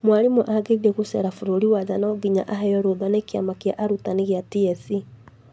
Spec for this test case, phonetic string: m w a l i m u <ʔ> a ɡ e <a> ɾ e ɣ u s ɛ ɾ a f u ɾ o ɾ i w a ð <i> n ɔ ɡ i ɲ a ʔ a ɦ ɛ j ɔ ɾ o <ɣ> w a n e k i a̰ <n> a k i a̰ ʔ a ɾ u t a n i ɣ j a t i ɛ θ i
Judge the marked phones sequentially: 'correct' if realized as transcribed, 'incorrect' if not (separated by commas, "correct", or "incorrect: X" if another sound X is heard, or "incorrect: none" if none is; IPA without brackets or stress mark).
correct, incorrect: i, incorrect: a, incorrect: ð, incorrect: m